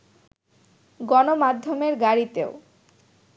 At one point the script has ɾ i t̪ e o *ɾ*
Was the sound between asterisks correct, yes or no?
no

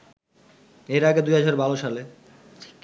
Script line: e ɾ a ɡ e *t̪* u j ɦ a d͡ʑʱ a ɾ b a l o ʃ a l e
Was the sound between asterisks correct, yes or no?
no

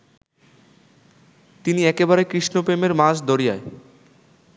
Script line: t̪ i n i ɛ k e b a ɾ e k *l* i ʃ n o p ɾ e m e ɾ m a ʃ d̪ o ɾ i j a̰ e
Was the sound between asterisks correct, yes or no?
no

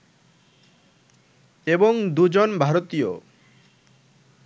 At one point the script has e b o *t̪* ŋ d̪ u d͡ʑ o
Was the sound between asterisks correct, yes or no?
no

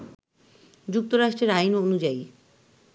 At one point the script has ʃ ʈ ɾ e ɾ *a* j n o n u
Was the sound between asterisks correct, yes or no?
yes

